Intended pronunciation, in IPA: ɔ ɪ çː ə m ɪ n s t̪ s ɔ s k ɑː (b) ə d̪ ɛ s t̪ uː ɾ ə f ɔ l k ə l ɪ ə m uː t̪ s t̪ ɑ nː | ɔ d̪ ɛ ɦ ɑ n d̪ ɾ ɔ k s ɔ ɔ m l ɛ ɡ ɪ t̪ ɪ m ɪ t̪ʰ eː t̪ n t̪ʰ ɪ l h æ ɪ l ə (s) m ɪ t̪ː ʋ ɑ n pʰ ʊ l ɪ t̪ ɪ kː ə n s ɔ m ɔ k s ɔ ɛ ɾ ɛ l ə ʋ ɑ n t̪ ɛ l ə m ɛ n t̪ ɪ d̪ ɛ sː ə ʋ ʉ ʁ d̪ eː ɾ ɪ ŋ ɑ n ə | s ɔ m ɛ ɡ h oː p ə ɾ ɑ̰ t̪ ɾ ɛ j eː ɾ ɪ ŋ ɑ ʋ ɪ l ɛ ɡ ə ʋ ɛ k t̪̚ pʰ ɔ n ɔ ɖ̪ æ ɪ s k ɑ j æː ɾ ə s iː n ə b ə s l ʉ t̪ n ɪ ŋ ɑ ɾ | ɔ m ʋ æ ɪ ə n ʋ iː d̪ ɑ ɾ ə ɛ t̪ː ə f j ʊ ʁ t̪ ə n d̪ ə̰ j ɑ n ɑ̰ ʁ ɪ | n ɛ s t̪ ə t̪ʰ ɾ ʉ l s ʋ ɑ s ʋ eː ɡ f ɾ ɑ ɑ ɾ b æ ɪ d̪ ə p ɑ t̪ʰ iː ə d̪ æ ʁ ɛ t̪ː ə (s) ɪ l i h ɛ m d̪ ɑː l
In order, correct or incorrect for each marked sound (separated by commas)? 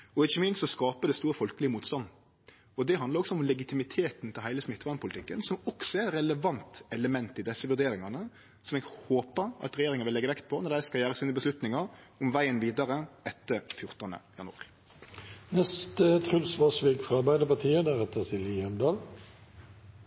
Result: incorrect, correct, correct